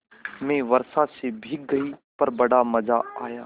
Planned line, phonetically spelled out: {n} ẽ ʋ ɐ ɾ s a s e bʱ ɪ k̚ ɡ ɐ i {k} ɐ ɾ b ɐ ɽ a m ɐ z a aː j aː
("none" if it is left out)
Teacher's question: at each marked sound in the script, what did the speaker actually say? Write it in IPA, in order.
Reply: m, p

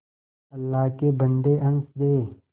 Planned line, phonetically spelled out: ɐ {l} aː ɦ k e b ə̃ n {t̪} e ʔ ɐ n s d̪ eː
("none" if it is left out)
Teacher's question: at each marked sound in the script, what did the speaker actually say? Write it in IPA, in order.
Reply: lː, d̪

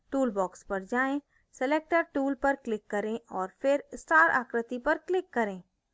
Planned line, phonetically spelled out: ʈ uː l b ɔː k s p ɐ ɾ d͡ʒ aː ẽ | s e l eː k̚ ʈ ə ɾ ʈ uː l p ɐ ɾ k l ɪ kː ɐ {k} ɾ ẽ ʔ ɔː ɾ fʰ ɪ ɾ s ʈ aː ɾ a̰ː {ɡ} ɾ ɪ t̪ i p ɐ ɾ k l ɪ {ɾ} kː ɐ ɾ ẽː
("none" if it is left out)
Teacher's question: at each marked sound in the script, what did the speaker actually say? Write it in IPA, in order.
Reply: none, k, none

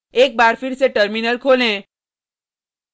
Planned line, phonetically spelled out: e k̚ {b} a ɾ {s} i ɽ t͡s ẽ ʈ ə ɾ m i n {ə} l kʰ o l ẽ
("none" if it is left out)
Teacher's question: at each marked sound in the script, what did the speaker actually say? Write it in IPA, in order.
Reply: b, f, ə

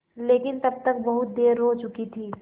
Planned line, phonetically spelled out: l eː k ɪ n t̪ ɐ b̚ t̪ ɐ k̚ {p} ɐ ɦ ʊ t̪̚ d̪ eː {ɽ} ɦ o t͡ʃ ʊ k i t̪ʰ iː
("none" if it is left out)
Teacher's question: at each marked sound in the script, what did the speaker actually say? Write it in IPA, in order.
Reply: b, ɾ

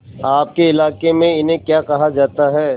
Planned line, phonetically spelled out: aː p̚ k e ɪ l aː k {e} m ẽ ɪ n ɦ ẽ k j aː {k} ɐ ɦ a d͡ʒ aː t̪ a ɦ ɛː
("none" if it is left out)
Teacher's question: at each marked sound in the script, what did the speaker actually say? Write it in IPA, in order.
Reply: e, k

